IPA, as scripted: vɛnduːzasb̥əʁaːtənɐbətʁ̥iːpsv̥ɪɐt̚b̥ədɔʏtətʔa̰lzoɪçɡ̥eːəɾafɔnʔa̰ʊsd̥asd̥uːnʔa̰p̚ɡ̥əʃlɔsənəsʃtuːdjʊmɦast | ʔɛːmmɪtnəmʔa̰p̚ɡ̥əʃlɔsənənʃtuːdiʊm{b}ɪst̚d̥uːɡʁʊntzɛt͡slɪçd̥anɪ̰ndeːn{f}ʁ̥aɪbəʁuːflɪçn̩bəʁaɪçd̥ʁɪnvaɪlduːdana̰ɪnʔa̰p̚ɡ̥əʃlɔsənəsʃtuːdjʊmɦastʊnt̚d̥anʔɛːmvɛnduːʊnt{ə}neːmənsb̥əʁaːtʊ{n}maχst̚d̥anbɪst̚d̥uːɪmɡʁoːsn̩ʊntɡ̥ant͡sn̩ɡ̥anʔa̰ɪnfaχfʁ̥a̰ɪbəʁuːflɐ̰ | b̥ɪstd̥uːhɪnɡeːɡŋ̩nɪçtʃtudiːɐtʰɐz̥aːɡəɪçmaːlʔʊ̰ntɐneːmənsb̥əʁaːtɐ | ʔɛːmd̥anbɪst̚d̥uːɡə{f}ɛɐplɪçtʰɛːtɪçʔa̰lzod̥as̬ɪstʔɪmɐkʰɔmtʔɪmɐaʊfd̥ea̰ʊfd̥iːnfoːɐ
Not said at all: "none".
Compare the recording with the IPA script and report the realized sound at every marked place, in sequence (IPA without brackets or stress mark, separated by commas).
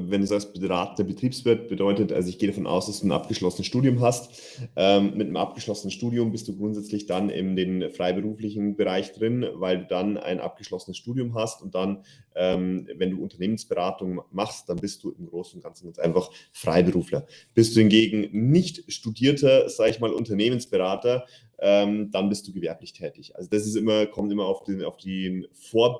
b, f, ɐ, ŋ, v